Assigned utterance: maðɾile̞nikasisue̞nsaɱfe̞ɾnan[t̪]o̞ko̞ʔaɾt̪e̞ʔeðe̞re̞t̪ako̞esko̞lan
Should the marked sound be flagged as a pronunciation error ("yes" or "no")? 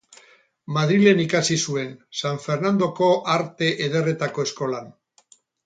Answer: yes